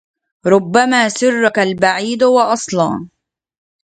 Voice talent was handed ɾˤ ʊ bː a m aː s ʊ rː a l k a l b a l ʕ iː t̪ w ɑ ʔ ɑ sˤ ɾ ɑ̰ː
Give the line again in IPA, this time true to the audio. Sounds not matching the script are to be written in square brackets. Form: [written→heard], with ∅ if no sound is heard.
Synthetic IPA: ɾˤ ʊ bː a m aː s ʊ rː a [l→∅] k a l b a [l→∅] ʕ iː [t̪→d̪] w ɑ ʔ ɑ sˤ [ɾ→l] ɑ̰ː